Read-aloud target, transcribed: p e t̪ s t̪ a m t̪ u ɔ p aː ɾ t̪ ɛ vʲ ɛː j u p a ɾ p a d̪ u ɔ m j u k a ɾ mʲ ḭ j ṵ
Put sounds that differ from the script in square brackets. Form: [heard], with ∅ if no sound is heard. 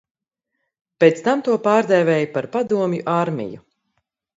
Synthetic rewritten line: p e t̪ s t̪ a m t̪ u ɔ p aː ɾ [d̪] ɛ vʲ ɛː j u p a ɾ p a d̪ u ɔ m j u [ʔ] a ɾ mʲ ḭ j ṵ